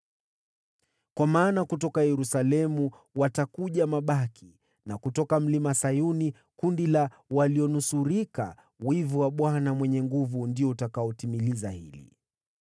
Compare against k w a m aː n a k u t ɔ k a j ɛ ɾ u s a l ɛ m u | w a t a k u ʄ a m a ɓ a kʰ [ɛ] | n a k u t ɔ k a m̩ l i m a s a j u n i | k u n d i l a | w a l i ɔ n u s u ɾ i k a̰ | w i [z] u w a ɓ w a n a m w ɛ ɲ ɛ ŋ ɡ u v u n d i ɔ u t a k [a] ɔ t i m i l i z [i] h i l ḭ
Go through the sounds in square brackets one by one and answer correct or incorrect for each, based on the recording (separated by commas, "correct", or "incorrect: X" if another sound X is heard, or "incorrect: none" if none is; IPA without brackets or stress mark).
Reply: incorrect: i, incorrect: v, correct, incorrect: a